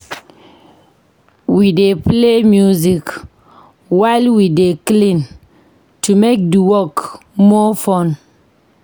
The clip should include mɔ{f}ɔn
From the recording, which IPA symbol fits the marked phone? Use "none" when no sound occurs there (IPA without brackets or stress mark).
f